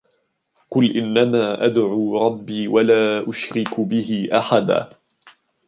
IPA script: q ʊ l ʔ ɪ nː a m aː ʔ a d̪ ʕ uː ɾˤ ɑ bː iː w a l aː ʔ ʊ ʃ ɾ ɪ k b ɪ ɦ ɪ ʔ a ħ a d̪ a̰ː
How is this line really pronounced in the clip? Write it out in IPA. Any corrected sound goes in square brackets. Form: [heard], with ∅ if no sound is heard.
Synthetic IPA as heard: q ʊ l ʔ ɪ nː a m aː ʔ a d̪ ʕ uː ɾˤ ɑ bː iː w a l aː ʔ ʊ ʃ ɾ ɪ k b ɪ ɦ ɪ ʔ a ħ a d̪ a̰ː